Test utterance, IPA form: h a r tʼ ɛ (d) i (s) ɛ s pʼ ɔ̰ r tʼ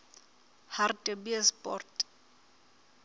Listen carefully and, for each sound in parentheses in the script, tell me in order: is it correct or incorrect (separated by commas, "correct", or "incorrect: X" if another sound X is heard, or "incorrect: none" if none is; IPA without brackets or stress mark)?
incorrect: b, incorrect: none